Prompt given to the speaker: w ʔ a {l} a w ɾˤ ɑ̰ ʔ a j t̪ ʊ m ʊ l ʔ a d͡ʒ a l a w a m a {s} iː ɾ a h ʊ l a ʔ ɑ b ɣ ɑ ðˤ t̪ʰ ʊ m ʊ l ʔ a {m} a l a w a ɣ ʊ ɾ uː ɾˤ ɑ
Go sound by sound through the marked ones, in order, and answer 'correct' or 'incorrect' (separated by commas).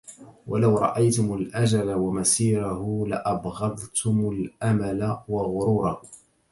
correct, correct, correct